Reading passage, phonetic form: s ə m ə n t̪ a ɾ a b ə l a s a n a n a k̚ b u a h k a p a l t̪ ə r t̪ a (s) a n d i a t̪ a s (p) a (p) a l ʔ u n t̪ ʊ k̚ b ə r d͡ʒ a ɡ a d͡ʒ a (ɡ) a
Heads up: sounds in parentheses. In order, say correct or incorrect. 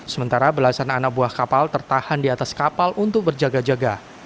incorrect: h, incorrect: k, correct, correct

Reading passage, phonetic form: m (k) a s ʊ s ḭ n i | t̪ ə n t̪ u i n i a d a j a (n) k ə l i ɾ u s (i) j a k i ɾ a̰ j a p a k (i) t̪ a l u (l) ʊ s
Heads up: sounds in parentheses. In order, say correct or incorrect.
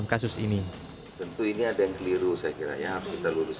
correct, incorrect: ŋ, incorrect: a, correct, incorrect: ɾ

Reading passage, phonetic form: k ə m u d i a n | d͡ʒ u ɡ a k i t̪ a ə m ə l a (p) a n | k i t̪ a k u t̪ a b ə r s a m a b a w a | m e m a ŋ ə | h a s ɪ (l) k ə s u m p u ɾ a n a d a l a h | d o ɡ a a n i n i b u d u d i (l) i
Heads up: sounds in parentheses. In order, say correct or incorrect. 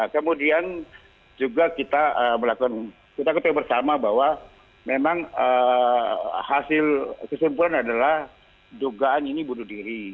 incorrect: k, correct, incorrect: ɾ

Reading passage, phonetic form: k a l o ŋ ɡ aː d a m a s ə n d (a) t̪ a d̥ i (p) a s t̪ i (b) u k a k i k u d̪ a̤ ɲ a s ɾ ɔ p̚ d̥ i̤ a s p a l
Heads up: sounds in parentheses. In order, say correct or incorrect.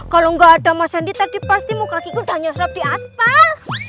incorrect: i, correct, incorrect: m

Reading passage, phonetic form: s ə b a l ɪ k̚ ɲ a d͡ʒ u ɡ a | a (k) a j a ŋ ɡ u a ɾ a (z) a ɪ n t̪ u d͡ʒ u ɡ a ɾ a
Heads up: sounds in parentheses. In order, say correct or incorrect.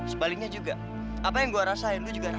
incorrect: p, incorrect: s

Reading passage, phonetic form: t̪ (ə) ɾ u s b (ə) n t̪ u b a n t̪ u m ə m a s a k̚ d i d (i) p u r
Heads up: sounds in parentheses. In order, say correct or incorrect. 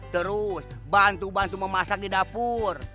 correct, incorrect: a, incorrect: a

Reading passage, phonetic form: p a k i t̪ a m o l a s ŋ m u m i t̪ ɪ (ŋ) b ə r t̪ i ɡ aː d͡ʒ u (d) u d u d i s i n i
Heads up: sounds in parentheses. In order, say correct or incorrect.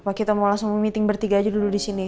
correct, correct

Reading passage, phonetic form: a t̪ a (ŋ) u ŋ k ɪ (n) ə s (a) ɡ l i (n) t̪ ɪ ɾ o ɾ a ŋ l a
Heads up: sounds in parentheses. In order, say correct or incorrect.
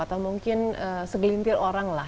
incorrect: m, correct, incorrect: ə, correct

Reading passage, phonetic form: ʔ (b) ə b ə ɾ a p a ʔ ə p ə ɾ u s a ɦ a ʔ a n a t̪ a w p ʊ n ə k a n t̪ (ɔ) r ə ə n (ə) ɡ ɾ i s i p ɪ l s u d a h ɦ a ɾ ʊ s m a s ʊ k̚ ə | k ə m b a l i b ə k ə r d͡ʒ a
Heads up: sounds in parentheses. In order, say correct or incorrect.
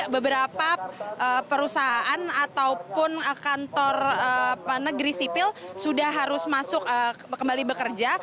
correct, correct, correct

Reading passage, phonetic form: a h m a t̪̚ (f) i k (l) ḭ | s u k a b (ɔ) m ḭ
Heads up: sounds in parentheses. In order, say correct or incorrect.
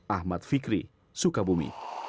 correct, incorrect: ɾ, incorrect: u

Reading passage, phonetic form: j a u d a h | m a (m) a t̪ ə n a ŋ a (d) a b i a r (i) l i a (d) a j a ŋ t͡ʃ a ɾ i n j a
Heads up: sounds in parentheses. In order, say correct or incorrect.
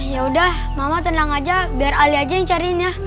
correct, incorrect: d͡ʒ, incorrect: a, incorrect: d͡ʒ

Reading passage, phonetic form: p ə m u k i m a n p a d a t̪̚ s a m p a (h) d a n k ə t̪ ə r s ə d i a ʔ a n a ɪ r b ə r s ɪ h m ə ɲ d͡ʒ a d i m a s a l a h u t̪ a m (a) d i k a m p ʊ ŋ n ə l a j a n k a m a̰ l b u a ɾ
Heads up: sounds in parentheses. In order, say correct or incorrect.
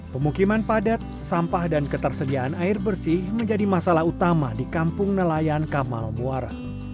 correct, correct

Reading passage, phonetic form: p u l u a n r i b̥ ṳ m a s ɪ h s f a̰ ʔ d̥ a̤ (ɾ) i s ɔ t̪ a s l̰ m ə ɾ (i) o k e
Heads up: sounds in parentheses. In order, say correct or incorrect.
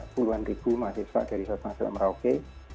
correct, incorrect: a

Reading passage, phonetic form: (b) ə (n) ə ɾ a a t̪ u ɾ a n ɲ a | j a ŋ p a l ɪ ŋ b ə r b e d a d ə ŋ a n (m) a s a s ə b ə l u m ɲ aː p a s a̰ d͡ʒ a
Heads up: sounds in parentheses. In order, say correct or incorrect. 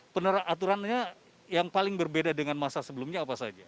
incorrect: p, correct, correct

